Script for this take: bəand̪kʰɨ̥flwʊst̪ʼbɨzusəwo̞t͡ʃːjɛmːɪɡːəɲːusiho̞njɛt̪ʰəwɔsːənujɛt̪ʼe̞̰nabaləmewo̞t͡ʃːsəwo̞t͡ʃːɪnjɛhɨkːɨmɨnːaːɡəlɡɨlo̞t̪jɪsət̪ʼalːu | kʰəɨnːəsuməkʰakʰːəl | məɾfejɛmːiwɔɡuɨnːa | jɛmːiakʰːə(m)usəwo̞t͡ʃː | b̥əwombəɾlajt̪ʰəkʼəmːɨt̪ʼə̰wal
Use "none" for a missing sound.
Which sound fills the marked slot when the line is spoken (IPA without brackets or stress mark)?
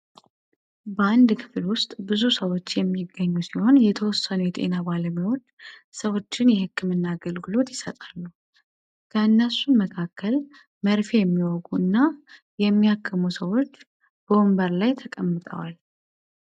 m